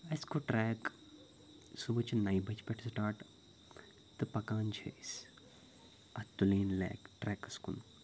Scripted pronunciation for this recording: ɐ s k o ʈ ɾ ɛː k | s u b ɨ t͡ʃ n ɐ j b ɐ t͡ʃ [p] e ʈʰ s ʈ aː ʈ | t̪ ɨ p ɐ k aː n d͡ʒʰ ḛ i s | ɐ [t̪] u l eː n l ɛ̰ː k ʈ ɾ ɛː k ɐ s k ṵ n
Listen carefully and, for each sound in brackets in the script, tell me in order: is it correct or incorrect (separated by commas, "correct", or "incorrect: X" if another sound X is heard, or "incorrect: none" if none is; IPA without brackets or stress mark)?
correct, correct